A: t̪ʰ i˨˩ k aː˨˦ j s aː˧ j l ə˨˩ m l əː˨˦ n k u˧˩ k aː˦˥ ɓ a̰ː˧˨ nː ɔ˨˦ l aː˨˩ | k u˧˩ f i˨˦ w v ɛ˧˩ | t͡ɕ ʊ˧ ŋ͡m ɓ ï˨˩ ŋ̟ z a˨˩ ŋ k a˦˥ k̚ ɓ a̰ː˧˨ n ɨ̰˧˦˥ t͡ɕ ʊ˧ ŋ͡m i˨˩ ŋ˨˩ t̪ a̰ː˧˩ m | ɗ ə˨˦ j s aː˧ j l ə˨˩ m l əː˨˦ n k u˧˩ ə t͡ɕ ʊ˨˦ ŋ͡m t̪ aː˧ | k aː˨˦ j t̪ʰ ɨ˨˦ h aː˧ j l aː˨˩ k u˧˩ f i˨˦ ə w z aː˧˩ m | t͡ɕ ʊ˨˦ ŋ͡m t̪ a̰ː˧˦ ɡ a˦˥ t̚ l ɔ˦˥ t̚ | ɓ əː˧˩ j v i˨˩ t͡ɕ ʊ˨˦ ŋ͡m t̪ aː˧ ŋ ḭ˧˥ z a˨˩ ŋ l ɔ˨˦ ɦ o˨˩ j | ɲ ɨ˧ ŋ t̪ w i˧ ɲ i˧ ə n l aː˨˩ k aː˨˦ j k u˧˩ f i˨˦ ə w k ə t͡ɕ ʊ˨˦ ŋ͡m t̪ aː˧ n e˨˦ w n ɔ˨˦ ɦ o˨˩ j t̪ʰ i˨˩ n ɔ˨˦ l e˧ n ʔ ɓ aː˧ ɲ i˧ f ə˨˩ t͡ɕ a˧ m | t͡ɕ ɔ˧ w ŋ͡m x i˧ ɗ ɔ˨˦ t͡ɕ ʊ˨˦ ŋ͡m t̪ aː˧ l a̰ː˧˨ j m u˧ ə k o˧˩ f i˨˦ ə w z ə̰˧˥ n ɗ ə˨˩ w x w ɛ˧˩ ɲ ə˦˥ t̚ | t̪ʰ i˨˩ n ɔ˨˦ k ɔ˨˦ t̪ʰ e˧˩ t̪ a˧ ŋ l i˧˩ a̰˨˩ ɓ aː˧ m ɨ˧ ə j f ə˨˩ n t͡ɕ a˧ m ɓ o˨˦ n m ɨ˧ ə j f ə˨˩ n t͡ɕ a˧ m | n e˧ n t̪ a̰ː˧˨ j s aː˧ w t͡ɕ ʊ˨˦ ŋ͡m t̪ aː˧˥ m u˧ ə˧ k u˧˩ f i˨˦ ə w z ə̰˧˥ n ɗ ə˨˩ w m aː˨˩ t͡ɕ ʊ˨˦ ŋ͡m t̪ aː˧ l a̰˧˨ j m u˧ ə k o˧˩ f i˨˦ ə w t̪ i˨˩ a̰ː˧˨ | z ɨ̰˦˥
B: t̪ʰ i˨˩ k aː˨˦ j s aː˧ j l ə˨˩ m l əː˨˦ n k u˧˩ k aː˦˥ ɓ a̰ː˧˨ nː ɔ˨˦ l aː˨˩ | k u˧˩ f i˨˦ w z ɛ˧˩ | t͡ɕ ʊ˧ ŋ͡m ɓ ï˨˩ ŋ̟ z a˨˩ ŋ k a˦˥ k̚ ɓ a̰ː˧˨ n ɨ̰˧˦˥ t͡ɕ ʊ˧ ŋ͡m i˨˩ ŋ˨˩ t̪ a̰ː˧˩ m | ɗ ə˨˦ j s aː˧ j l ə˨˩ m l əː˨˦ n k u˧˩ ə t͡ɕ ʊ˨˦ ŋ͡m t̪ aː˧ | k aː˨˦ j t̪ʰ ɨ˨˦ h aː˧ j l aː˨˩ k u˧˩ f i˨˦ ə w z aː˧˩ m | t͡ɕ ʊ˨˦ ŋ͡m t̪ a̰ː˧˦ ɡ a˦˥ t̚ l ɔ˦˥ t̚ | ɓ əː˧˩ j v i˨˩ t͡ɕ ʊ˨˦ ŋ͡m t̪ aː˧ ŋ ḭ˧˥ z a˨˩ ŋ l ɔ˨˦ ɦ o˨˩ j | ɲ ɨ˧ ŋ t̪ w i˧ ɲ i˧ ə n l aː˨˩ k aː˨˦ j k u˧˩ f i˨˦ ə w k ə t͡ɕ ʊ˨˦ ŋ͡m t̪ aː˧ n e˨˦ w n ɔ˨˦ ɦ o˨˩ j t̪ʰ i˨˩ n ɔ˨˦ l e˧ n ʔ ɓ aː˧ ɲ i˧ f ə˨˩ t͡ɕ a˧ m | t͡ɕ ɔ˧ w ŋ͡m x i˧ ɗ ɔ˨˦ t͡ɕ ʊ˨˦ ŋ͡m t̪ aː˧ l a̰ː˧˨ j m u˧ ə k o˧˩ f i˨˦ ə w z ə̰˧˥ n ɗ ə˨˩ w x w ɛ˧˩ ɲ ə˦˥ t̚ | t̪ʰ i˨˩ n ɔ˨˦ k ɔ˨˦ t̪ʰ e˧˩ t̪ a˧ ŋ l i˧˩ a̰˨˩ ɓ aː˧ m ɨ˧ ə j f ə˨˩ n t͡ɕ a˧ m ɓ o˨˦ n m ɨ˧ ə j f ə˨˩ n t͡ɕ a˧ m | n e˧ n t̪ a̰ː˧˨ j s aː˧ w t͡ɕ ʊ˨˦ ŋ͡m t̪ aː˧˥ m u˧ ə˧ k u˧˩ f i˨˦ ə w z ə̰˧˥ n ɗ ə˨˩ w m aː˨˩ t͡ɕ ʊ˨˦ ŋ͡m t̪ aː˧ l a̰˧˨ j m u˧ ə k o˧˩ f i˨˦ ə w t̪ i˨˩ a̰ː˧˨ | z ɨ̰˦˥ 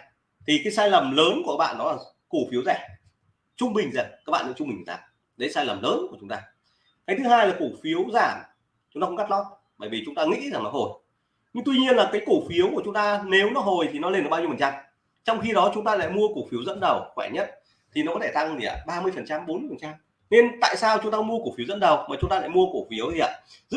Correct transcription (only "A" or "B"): B